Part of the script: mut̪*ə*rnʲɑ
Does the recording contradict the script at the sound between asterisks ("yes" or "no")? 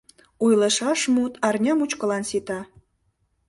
yes